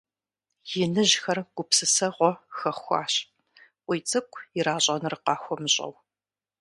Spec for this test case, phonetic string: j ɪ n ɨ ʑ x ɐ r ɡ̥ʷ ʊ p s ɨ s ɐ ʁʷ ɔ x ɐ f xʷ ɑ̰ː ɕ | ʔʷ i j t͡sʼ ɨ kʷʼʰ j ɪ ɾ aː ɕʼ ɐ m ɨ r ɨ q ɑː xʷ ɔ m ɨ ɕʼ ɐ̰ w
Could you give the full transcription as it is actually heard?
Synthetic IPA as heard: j ɪ n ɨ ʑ x ɐ r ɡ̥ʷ ʊ p s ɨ s ɐ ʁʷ ɔ x ɐ χ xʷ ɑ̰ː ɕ | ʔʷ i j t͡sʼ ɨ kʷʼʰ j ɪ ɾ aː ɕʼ ɐ n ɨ r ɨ q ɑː xʷ ɔ m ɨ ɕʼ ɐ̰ w